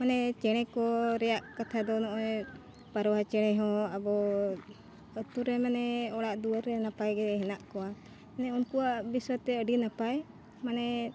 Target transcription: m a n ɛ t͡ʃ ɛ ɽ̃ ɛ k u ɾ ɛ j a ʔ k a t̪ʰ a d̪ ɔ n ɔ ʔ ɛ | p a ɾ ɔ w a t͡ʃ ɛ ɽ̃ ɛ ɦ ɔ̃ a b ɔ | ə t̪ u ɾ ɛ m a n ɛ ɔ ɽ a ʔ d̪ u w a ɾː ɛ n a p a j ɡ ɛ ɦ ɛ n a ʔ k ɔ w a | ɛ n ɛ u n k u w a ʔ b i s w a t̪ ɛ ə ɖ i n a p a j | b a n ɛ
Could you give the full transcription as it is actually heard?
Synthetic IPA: m a n ɛ t͡ʃ ɛ ɽ̃ ɛ k ɔ ɾ ɛ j a ʔ k a t̪ʰ a d̪ ɔ n ɔ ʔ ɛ | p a ɾ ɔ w a t͡ʃ ɛ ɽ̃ ɛ ɦ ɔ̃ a b ɔ | ə t̪ u ɾ ɛ m a n ɛ ɔ ɽ a ʔ d̪ u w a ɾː ɛ n a p a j ɡ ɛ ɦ ɛ n a ʔ k ɔ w a | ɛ n ɛ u n k u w a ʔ b i s w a t̪ ɛ ə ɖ i n a p a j | m a n ɛ